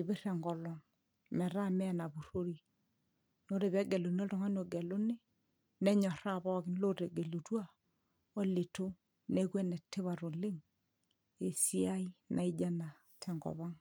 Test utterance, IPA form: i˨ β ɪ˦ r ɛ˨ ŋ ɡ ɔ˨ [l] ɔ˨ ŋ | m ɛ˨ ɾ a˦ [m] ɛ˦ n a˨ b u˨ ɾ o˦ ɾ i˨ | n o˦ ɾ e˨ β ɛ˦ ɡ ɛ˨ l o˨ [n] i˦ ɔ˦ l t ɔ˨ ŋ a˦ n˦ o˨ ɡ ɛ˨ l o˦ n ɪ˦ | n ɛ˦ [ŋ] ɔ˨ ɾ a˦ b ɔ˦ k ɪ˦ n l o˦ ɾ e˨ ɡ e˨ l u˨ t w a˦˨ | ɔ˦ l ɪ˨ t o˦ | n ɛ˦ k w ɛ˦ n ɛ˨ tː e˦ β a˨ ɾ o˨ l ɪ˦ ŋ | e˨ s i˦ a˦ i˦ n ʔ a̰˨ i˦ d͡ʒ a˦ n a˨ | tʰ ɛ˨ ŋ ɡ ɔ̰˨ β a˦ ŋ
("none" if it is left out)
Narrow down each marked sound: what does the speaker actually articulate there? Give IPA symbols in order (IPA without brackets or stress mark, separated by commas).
l, m, n, ɲ